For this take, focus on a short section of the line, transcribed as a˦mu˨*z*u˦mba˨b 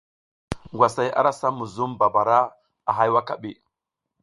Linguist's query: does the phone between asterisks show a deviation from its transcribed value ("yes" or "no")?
no